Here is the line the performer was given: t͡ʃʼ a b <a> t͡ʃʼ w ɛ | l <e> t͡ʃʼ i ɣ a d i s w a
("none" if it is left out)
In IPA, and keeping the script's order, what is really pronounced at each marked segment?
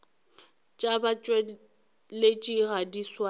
a, e

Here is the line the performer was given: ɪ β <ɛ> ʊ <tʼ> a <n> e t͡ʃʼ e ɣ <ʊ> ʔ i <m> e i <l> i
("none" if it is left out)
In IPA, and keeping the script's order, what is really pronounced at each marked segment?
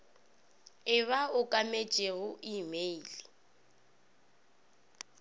a, kʼ, m, ʊ, m, l

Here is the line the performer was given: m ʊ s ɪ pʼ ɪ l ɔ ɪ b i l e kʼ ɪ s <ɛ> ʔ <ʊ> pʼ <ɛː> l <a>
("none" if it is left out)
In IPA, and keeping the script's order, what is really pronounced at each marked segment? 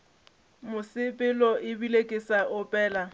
a, ʊ, ɛː, a

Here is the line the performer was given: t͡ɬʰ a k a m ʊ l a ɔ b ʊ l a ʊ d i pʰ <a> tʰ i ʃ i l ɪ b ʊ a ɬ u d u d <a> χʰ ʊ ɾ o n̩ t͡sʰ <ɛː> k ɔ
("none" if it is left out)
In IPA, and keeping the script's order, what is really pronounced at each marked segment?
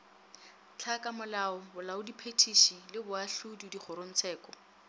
e, i, ɛː

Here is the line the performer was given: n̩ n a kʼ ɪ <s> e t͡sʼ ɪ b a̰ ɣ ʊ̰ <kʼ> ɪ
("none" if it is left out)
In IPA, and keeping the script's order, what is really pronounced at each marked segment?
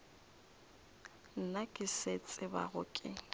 s, kʼ

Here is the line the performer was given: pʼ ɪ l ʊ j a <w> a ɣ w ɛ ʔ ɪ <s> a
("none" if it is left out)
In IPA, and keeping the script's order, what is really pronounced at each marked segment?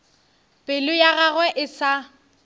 ɣ, s

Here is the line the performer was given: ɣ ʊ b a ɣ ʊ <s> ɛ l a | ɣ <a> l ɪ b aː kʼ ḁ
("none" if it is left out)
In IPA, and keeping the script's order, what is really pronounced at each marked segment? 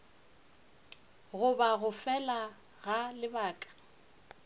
f, a

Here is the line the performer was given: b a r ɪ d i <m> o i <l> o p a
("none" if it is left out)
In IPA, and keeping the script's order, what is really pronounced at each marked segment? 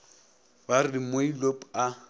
m, l

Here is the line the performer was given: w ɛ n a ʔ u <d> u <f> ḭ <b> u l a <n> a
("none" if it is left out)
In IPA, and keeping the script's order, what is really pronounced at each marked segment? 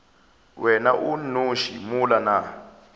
n, ʃ, m, n

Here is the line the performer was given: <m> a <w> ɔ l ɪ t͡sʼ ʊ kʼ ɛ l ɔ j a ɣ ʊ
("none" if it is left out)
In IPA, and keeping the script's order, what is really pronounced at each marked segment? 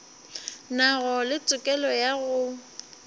n, ɣ

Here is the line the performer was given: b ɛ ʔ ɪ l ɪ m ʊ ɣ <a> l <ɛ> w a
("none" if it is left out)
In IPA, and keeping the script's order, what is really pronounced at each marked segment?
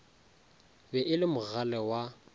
a, ɛ

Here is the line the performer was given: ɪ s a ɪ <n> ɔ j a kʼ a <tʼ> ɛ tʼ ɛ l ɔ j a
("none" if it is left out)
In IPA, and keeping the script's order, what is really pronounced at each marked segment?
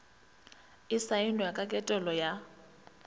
n, kʼ

